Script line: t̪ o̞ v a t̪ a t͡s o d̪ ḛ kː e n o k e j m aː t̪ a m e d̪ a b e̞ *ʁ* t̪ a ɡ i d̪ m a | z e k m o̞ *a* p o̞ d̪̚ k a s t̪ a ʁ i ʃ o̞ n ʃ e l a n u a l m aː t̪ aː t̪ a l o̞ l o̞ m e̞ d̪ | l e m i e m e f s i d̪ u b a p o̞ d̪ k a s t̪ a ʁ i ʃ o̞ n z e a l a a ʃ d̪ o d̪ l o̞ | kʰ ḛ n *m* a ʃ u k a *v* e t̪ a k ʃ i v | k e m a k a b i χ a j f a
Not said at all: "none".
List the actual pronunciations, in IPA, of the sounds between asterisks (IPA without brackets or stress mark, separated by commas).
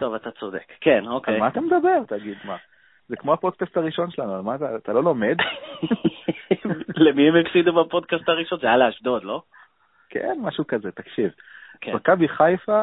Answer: ʁ, a, m, z